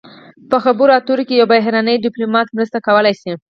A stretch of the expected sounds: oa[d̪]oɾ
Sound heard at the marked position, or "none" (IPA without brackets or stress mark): t̪